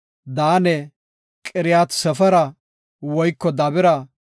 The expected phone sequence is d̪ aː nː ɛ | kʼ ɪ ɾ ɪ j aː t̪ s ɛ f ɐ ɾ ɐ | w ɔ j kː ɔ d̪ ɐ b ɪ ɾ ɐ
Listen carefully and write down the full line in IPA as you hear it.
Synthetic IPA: d̪ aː n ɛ | kʼ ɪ ɾ ɪ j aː t̪ s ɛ f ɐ ɾ ɐ | w ɔ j kː ɔ d̪ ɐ b ɪ ɾ ɐ